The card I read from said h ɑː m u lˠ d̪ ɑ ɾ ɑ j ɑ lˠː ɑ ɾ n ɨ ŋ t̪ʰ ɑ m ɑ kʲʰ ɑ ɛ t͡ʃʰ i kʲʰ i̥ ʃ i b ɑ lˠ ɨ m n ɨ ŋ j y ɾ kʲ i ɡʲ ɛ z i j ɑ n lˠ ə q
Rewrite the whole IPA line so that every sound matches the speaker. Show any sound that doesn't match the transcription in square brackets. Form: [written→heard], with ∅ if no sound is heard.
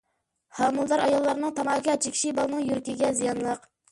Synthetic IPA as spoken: h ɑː m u lˠ d̪ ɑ ɾ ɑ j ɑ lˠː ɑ ɾ n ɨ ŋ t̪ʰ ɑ m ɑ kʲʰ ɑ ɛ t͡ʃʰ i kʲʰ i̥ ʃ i b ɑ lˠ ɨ [m→∅] n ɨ ŋ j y ɾ kʲ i ɡʲ ɛ z i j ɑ n lˠ ə q